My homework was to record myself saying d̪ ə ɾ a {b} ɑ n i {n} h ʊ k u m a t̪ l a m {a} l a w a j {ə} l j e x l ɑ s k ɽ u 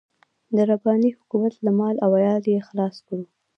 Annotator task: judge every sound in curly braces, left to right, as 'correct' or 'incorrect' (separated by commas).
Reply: correct, incorrect, incorrect, incorrect